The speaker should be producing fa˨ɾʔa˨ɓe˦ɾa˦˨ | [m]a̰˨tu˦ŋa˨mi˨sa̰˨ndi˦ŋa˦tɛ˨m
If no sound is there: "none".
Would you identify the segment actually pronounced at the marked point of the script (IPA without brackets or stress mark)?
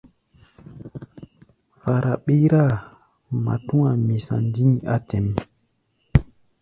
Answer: m